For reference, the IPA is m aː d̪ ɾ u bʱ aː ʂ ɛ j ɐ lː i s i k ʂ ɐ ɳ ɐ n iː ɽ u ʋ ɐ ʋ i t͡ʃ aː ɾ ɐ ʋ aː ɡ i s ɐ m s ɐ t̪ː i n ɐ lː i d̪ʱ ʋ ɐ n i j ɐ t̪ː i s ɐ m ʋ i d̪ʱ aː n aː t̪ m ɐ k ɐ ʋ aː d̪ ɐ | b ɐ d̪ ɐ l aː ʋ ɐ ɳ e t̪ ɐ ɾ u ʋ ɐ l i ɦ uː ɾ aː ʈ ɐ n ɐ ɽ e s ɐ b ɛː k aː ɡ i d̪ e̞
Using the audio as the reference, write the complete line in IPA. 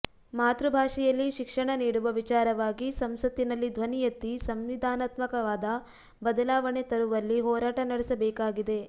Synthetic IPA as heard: m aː t̪ ɾ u bʱ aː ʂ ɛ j ɐ lː i ʃ i k ʂ ɐ ɳ ɐ n iː ɽ u ʋ ɐ ʋ i t͡ʃ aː ɾ ɐ ʋ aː ɡ i s ɐ m s ɐ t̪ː i n ɐ lː i d̪ʱ ʋ ɐ n i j ɐ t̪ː i s ɐ m ʋ i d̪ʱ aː n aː t̪ m ɐ k ɐ ʋ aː d̪ ɐ | b ɐ d̪ ɐ l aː ʋ ɐ ɳ e t̪ ɐ ɾ u ʋ ɐ lː i ɦ ɔː ɾ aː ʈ ɐ n ɐ ɽ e s ɐ b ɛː k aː ɡ i d̪ e̞

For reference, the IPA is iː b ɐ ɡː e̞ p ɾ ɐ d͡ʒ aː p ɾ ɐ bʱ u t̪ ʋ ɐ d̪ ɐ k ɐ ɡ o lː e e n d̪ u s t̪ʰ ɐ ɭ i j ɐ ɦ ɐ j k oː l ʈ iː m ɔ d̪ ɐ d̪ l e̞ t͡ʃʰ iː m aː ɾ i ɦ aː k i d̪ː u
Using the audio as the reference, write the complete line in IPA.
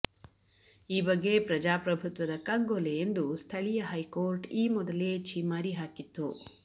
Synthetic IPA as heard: iː b ɐ ɡː e̞ p ɾ ɐ d͡ʒ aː p ɾ ɐ bʱ u t̪ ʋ ɐ d̪ ɐ k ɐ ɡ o l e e n d̪ u s t̪ʰ ɐ ɭ i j ɐ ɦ ɐ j k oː ɾ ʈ iː m ɔ d̪ ɐ l e̞ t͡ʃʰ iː m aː ɾ i ɦ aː k i t̪ː u

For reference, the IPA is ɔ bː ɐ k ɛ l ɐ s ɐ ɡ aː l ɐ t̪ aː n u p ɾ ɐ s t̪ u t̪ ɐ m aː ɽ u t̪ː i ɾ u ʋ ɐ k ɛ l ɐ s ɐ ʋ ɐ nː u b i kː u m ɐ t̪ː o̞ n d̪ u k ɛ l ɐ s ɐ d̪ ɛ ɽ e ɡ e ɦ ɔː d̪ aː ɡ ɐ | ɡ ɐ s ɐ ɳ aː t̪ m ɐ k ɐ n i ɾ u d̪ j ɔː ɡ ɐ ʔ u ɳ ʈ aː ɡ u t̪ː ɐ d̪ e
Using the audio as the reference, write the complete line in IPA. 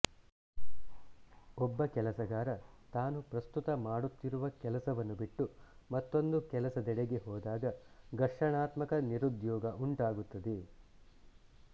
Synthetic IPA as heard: ɔ bː ɐ k ɛ l ɐ s ɐ ɡ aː ɾ ɐ t̪ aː n u p ɾ ɐ s t̪ u t̪ ɐ m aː ɽ u t̪ː i ɾ u ʋ ɐ k ɛ l ɐ s ɐ ʋ ɐ nː u b i ʈː u m ɐ t̪ː o̞ n d̪ u k ɛ l ɐ s ɐ d̪ ɛ ɽ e ɡ e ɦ ɔː d̪ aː ɡ ɐ | ɡ ɐ ʂ ɐ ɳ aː t̪ m ɐ k ɐ n i ɾ u d̪ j ɔː ɡ ɐ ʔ u ɳ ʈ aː ɡ u t̪ː ɐ d̪ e

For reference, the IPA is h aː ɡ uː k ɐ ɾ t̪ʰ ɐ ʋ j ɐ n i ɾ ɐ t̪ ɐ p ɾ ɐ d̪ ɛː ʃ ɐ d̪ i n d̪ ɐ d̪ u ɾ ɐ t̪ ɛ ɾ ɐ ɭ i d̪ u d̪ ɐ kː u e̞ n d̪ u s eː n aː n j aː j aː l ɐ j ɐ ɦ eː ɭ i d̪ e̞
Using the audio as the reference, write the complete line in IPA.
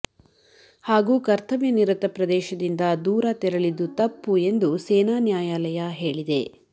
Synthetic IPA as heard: h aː ɡ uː k ɐ ɾ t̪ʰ ɐ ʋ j ɐ n i ɾ ɐ t̪ ɐ p ɾ ɐ d̪ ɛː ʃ ɐ d̪ i n d̪ ɐ d̪ uː ɾ ɐ t̪ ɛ ɾ ɐ ɭ i d̪ u t̪ ɐ pː u e̞ n d̪ u s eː n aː n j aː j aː l ɐ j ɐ ɦ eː ɭ i d̪ e̞

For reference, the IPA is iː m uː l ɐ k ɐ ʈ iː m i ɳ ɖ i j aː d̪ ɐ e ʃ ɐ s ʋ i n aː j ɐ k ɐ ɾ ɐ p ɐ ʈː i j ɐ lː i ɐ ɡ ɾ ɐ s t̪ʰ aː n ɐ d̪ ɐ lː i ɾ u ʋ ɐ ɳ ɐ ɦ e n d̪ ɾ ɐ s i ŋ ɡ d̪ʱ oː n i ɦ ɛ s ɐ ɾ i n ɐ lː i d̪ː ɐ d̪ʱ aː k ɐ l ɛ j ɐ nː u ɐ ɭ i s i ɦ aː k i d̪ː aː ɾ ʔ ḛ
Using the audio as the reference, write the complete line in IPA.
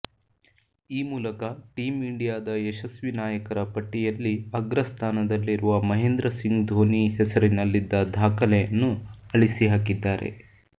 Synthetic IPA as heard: iː m uː l ɐ k ɐ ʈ iː m i ɳ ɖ i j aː d̪ ɐ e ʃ ɐ s ʋ i n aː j ɐ k ɐ ɾ ɐ p ɐ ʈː i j ɐ lː i ɐ ɡ ɾ ɐ s t̪ʰ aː n ɐ d̪ ɐ lː i ɾ u ʋ ɐ m ɐ ɦ e n d̪ ɾ ɐ s i ŋ ɡ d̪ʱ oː n i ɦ ɛ s ɐ ɾ i n ɐ lː i d̪ː ɐ d̪ʱ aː k ɐ l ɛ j ɐ nː u ɐ ɭ i s i ɦ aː k i d̪ː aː ɾ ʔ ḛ

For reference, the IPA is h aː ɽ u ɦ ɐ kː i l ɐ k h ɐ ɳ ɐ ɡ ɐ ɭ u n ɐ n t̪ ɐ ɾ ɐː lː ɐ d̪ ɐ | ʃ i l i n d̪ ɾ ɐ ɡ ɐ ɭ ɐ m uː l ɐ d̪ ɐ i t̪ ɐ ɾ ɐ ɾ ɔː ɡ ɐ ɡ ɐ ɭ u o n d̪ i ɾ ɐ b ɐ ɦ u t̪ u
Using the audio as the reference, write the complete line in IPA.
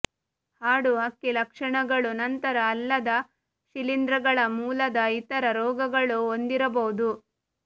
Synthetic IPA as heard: h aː ɽ u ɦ ɐ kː i l ɐ k ʂ ɐ ɳ ɐ ɡ ɐ ɭ u n ɐ n t̪ ɐ ɾ ɐː lː ɐ d̪ ɐ | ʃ i l i n d̪ ɾ ɐ ɡ ɐ ɭ ɐ m uː l ɐ d̪ ɐ i t̪ ɐ ɾ ɐ ɾ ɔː ɡ ɐ ɡ ɐ ɭ u o n d̪ i ɾ ɐ b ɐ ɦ u d̪ u

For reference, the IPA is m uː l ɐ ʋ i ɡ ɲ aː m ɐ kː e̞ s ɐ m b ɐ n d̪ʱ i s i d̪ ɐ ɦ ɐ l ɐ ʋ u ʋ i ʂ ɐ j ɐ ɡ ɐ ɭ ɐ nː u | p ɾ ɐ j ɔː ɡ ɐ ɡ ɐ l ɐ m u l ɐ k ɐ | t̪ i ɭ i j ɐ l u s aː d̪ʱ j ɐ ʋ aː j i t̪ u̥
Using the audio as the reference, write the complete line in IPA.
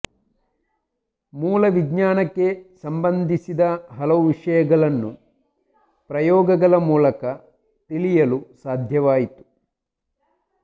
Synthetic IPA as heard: m uː l ɐ ʋ i ɡ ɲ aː n ɐ kː e̞ s ɐ m b ɐ n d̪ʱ i s i d̪ ɐ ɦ ɐ l ɐ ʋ u ʋ i ʂ ɐ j ɐ ɡ ɐ ɭ ɐ nː u | p ɾ ɐ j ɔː ɡ ɐ ɡ ɐ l ɐ m uː l ɐ k ɐ | t̪ i l i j ɐ l u s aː d̪ʱ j ɐ ʋ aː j i t̪ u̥

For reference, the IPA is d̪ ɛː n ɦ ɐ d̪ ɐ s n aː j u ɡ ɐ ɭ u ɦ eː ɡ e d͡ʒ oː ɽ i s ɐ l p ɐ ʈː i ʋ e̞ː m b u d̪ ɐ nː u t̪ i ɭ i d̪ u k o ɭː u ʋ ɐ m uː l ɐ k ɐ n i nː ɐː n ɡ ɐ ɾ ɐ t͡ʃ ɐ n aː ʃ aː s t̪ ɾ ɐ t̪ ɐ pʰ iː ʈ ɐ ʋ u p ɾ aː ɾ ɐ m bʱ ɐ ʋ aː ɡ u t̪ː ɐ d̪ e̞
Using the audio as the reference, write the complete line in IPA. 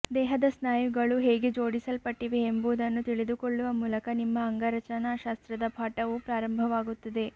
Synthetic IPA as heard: d̪ ɛː ɦ ɐ d̪ ɐ s n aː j u ɡ ɐ ɭ u ɦ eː ɡ e d͡ʒ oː ɽ i s ɐ l p ɐ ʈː i ʋ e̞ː m b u d̪ ɐ nː u t̪ i ɭ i d̪ u k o ɭː u ʋ ɐ m uː l ɐ k ɐ n i mː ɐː ŋ ɡ ɐ ɾ ɐ t͡ʃ ɐ n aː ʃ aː s t̪ ɾ ɐ d̪ ɐ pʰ aː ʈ ɐ ʋ u p ɾ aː ɾ ɐ m bʱ ɐ ʋ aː ɡ u t̪ː ɐ d̪ e̞

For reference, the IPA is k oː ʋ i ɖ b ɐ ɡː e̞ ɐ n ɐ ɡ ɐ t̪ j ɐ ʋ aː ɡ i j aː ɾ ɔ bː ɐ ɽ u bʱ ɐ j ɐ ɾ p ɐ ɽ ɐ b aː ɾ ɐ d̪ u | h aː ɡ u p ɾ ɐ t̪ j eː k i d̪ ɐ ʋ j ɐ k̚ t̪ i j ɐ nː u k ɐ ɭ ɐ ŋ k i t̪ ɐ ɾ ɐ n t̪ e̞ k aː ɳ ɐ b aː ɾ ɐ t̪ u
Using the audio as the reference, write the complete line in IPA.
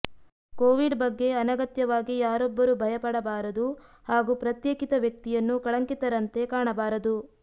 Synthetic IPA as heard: k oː ʋ i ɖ b ɐ ɡː e̞ ɐ n ɐ ɡ ɐ t̪ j ɐ ʋ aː ɡ i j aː ɾ ɔ bː ɐ ɾ u bʱ ɐ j ɐ p ɐ ɽ ɐ b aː ɾ ɐ d̪ u | h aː ɡ u p ɾ ɐ t̪ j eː k i t̪ ɐ ʋ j ɐ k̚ t̪ i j ɐ nː u k ɐ ɭ ɐ ŋ k i t̪ ɐ ɾ ɐ n t̪ e̞ k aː ɳ ɐ b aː ɾ ɐ d̪ u

